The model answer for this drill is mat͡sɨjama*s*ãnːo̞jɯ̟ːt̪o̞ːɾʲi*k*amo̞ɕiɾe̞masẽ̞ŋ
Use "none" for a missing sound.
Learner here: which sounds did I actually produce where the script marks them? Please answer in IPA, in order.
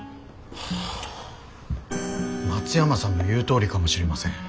s, k

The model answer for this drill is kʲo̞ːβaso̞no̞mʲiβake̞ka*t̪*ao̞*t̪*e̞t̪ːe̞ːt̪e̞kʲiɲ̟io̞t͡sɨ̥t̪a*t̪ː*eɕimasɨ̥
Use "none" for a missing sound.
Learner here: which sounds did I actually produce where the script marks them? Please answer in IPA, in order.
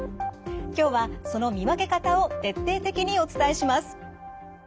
t̪, t̪, none

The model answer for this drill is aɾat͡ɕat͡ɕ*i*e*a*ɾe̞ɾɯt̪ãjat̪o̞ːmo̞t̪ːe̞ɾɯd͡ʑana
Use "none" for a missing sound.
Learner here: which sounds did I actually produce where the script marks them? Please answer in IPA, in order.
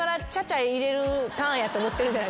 a, i

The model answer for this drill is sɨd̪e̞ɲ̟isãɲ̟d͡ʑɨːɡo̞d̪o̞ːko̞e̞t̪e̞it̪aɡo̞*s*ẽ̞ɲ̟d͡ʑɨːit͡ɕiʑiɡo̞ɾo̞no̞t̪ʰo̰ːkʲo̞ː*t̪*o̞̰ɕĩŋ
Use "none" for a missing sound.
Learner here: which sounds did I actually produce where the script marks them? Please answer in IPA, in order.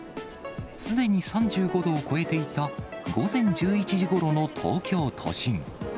z, t̪ʰ

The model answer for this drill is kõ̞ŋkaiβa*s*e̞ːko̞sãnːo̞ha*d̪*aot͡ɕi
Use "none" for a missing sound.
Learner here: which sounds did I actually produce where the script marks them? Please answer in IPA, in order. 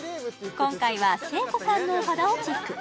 s, d̪

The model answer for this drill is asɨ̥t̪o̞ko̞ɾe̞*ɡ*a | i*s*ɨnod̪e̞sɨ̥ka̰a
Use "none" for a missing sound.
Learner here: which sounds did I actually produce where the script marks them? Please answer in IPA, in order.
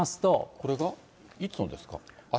ɡ, t͡s

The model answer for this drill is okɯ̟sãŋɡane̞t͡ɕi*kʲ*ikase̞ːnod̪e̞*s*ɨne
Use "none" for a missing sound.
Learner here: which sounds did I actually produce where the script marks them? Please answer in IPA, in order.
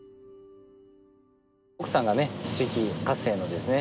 kʲ, s

